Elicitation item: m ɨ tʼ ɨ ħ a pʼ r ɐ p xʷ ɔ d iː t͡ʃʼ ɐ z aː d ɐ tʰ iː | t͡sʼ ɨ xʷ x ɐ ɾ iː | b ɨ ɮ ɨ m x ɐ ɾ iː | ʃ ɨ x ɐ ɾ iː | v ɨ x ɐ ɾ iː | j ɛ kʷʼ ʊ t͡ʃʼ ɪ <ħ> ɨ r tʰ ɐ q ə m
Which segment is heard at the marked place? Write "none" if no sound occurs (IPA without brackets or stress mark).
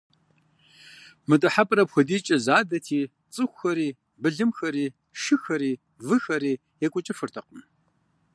f